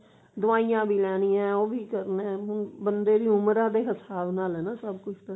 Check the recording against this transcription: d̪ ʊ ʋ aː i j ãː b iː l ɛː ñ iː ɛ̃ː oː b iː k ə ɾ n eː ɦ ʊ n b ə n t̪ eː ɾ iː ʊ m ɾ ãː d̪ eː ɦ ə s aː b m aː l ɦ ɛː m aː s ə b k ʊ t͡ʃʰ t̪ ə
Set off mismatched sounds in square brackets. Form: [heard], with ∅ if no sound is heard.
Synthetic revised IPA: d̪ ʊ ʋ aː i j ãː b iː l ɛː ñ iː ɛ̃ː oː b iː k ə ɾ n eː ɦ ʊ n b ə n [d̪] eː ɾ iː ʊ m ɾ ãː d̪ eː ɦ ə s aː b [n] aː l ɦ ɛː [n] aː s ə b k ʊ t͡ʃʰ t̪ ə